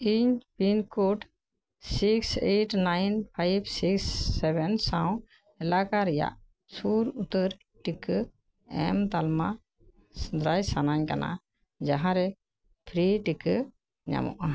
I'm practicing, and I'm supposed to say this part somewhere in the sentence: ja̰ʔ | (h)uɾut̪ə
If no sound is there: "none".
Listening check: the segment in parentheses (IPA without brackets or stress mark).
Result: s